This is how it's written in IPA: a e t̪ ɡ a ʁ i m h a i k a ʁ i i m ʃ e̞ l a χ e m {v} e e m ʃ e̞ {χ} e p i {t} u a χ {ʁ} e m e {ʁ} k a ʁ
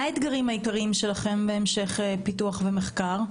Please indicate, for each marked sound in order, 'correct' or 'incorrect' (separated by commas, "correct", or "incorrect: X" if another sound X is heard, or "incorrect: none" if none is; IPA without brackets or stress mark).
incorrect: b, correct, correct, incorrect: v, incorrect: χ